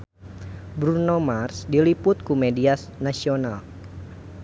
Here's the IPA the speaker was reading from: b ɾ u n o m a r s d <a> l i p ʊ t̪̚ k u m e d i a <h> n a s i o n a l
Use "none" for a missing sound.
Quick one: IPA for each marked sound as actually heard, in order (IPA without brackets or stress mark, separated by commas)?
i, s